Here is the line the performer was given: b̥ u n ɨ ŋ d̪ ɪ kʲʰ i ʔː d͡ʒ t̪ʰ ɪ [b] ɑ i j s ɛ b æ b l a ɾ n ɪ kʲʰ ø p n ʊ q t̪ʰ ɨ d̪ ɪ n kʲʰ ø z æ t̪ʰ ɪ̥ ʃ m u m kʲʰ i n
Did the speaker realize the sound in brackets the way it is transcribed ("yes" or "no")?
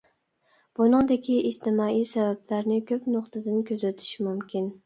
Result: no